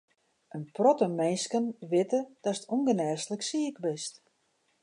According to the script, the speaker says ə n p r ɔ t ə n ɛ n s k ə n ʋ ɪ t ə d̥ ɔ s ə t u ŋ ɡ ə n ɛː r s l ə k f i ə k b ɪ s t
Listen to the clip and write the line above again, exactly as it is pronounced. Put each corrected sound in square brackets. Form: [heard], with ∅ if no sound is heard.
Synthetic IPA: ə n p r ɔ t ə [m] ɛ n s k ə n ʋ ɪ t ə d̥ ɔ s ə t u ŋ ɡ ə n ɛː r s l ə k [s] i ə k b ɪ s t